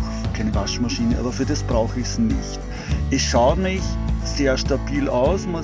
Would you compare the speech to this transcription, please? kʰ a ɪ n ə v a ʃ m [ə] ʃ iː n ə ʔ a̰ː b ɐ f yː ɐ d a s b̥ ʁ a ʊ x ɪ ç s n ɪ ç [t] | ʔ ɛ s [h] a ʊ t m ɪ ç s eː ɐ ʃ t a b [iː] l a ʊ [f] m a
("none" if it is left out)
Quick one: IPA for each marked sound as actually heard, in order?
a, t, ʃ, iː, s

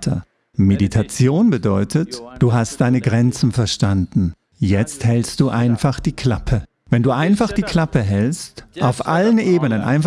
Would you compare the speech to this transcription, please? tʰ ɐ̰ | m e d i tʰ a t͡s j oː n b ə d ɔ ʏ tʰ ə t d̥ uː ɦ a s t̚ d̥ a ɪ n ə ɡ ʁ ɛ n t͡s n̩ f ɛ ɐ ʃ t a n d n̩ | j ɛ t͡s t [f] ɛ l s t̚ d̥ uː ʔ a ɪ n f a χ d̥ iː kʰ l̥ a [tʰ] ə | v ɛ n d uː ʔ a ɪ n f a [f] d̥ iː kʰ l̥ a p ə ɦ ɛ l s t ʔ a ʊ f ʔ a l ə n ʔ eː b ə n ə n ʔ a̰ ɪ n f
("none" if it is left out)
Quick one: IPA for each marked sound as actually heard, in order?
h, pʰ, χ

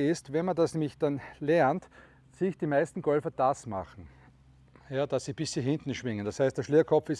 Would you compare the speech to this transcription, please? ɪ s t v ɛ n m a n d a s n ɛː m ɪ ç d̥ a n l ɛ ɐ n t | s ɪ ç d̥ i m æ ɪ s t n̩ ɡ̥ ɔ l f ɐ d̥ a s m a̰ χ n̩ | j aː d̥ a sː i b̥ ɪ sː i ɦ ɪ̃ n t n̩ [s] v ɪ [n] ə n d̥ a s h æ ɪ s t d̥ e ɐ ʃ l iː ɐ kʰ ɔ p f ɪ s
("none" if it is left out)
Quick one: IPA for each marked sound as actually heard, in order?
ʃ, ŋ

